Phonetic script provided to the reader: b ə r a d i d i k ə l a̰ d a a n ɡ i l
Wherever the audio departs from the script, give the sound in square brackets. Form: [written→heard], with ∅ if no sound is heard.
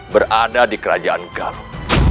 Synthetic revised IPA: b ə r a d [i→a] d i k ə [l→ɾ] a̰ [d→d͡ʒ] a a n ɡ [i→a] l